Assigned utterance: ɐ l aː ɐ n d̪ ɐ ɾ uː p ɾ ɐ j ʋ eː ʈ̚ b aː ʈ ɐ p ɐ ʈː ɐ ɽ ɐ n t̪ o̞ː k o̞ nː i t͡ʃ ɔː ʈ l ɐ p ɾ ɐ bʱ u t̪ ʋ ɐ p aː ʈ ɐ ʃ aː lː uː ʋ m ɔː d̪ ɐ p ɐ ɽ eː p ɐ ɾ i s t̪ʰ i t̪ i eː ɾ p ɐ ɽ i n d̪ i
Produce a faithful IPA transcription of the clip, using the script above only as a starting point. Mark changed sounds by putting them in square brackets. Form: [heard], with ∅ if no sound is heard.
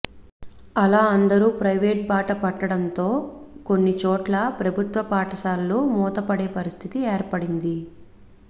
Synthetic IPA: ɐ l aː ɐ n d̪ ɐ ɾ uː p ɾ ɐ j ʋ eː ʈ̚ b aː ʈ ɐ p ɐ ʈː ɐ ɽ ɐ n t̪ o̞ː k o̞ nː i t͡ʃ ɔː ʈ l ɐ p ɾ ɐ bʱ u t̪ ʋ ɐ p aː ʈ ɐ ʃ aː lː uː [∅] m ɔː [t̪] ɐ p ɐ ɽ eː p ɐ ɾ i s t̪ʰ i t̪ i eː ɾ p ɐ ɽ i n d̪ i